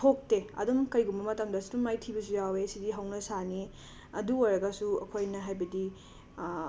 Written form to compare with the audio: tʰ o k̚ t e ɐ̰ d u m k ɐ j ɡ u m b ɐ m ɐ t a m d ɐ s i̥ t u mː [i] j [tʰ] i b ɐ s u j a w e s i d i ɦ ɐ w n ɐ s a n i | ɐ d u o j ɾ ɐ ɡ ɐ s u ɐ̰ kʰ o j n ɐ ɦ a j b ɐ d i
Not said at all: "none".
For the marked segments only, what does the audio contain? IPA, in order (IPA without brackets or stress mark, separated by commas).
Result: a, tʰ